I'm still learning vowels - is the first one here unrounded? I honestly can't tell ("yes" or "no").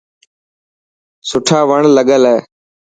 no